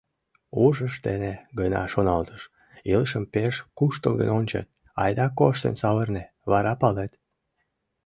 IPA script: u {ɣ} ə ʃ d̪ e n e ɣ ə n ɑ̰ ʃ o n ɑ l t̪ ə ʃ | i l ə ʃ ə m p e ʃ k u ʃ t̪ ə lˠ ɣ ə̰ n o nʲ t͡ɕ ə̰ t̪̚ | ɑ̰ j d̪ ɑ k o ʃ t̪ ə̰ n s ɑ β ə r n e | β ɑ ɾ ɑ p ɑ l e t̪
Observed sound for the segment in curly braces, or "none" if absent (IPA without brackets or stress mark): ʒ